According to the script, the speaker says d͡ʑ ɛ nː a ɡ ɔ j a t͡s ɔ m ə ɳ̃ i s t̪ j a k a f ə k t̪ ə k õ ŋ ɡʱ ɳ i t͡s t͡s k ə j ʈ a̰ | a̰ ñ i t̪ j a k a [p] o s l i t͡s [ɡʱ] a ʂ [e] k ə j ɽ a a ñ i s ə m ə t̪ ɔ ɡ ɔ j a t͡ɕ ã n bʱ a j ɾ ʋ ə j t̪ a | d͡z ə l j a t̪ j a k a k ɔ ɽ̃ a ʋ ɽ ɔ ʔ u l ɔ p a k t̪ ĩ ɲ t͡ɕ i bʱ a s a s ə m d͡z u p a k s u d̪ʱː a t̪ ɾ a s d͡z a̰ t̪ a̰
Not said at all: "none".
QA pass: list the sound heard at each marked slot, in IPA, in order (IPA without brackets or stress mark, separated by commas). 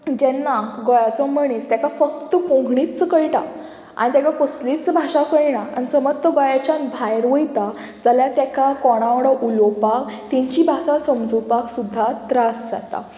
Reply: k, bʱ, a